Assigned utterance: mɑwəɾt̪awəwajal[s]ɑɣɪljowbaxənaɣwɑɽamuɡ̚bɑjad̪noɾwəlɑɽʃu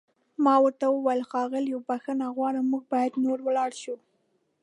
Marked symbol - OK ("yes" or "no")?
no